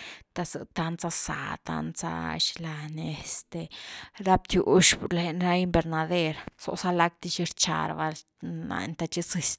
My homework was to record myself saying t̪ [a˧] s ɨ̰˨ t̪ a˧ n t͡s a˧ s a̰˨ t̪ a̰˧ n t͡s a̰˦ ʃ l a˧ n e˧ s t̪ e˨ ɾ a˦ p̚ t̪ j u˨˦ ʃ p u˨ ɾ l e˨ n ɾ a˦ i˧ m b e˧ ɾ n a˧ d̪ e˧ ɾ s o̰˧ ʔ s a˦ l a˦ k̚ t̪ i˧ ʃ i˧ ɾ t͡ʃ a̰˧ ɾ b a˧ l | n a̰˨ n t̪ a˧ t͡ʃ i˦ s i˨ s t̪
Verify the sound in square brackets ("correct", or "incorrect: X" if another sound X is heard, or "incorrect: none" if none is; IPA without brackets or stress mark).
correct